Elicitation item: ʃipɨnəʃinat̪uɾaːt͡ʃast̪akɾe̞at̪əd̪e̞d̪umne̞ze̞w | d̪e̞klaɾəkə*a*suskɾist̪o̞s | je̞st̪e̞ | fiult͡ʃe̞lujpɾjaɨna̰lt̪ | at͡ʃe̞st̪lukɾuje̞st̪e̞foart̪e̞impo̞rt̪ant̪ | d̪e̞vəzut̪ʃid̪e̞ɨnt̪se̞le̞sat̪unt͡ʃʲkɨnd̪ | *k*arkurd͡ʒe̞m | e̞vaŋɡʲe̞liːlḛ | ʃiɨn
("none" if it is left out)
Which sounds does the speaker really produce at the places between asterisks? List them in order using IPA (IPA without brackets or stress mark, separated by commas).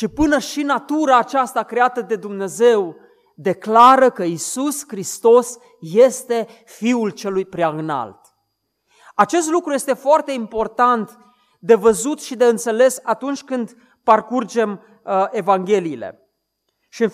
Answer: i, p